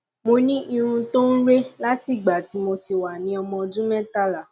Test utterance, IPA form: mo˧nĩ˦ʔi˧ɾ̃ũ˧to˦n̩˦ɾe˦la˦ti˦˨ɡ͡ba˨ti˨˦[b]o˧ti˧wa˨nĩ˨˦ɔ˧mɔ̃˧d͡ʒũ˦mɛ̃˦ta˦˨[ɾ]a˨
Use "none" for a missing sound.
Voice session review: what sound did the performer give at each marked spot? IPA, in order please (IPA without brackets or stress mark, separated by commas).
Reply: m, l